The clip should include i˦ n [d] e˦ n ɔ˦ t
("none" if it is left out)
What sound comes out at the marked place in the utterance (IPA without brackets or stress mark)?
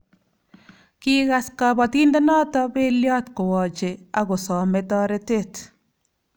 d